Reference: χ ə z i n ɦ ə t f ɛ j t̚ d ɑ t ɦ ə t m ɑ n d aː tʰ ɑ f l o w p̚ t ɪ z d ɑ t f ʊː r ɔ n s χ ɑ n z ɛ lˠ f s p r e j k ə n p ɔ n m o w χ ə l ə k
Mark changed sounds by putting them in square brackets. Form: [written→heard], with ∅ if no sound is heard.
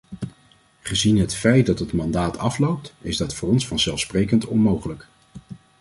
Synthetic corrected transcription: χ ə z i n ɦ ə t f ɛ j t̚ d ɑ t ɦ ə t m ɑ n d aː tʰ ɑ f l o w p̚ t ɪ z d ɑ t f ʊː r ɔ n s [χ→f] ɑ n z ɛ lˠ f s p r e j k ə n [p→t] ɔ n m o w χ ə l ə k